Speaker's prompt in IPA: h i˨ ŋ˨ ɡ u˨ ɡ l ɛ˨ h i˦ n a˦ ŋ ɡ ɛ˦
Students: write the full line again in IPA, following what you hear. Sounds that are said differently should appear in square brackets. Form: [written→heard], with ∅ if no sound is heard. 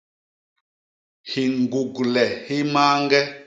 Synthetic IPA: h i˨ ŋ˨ ɡ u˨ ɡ l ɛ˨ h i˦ [n→m] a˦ ŋ ɡ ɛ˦

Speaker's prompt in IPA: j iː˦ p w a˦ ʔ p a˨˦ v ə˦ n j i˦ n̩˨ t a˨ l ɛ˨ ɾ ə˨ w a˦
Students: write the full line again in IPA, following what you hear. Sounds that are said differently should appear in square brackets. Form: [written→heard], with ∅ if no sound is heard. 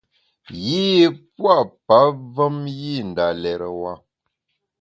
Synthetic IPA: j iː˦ p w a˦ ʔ p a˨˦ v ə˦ [n→m] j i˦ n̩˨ [t→d] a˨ l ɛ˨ ɾ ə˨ w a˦

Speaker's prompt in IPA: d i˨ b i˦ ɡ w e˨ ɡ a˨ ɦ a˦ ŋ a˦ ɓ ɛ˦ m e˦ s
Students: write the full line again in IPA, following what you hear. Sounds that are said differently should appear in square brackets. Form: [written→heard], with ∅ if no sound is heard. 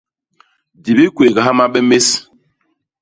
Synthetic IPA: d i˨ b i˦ [ɡ→k] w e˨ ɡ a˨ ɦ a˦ [ŋ→m] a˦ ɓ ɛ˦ m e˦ s

